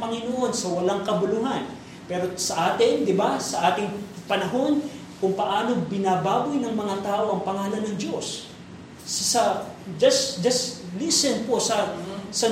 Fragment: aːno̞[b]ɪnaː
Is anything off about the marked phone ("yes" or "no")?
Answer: no